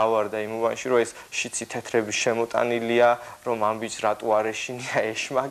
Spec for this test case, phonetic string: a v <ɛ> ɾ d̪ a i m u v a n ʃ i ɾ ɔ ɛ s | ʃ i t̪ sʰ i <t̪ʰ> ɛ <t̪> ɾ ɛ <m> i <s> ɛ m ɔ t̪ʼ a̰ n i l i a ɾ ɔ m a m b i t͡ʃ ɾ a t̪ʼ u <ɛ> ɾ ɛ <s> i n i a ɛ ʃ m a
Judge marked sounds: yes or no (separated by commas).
no, yes, no, no, no, no, no